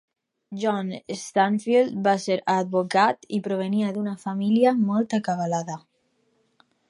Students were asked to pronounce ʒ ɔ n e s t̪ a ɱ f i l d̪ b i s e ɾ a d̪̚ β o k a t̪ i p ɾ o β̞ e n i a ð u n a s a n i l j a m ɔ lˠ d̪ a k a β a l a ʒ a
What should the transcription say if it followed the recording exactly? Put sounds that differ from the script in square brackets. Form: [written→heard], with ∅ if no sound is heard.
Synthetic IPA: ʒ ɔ n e s t̪ a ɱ f i l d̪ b [i→a] s e ɾ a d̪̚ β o k a t̪ i p ɾ o β̞ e n i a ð u n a [s→f] a [n→m] i l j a m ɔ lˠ [d̪→t̪] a k a β a l a [ʒ→ð] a